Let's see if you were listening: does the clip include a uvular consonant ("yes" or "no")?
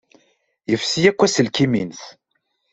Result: no